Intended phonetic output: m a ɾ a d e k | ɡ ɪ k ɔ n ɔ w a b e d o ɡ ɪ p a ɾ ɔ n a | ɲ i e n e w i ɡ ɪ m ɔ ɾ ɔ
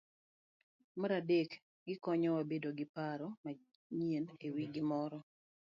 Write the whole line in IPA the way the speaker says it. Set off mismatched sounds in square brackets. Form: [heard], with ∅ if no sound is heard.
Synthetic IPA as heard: m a ɾ a d e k | ɡ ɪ k ɔ [ɲ] ɔ w a b e d o ɡ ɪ p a ɾ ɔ [m] a | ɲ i e n e w i ɡ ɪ m ɔ ɾ ɔ